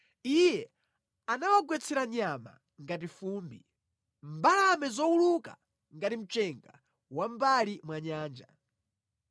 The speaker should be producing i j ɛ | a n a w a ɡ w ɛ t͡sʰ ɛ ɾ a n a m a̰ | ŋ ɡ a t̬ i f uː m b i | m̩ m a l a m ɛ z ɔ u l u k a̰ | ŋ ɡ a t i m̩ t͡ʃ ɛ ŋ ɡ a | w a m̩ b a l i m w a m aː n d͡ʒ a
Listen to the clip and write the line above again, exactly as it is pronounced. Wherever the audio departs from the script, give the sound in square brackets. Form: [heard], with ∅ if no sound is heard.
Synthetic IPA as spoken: i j ɛ | a n a w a ɡ w ɛ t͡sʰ ɛ ɾ a [ɲ] a m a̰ | ŋ ɡ a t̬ i f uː m b i | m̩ [b] a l a m ɛ z ɔ u l u k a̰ | ŋ ɡ a t i m̩ t͡ʃ ɛ ŋ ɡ a | w a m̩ b a l i m w a [ɲ] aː n d͡ʒ a